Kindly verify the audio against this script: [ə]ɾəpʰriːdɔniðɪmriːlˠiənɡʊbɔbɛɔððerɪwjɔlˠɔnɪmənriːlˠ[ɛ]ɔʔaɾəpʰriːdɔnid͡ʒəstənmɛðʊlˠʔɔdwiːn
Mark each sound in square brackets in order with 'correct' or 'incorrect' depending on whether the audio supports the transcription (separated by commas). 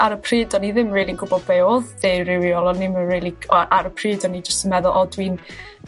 incorrect, incorrect